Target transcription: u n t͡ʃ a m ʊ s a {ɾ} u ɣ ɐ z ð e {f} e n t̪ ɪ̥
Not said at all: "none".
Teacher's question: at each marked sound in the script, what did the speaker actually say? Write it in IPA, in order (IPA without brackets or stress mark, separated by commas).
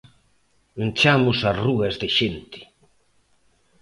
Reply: r, ʃ